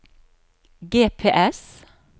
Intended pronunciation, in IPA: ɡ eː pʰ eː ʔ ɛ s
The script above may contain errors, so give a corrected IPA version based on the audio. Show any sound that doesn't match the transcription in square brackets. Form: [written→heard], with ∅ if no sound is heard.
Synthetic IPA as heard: ɡ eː pʰ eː ʔ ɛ s